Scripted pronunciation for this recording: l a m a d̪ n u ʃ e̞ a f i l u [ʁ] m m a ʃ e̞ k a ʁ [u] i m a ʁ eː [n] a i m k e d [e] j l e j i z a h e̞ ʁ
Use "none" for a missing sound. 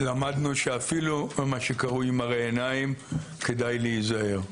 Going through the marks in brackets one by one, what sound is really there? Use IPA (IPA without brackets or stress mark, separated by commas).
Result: none, u, n, a